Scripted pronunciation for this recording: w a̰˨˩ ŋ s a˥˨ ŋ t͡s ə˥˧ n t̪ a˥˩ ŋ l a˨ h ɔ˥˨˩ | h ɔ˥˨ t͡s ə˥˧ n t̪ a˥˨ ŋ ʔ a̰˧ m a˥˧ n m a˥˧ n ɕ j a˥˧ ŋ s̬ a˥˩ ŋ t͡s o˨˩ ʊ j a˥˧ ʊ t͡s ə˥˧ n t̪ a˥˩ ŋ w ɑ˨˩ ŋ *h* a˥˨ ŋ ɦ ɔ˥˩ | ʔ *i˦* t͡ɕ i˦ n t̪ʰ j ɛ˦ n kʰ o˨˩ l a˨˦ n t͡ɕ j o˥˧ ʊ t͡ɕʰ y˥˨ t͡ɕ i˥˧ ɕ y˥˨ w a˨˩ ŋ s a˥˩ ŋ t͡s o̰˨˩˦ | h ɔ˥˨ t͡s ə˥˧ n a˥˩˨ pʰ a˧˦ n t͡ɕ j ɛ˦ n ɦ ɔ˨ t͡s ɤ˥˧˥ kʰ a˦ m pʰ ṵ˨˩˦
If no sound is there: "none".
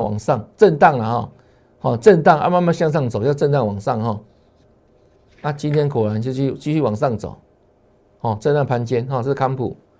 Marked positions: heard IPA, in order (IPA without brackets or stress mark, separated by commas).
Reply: s, a˦